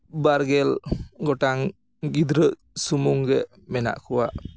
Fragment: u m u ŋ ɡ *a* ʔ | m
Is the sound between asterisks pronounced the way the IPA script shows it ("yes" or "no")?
no